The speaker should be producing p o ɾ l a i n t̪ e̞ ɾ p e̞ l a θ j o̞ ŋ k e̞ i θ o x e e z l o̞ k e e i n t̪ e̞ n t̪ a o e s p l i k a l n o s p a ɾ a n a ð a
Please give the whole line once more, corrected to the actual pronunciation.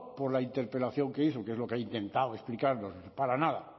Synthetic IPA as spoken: p o ɾ l a i n t̪ e̞ ɾ p e̞ l a θ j o̞ ŋ k e̞ i θ o k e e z l o̞ k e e i n t̪ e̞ n t̪ a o e s p l i k a ɾ n o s p a ɾ a n a ð a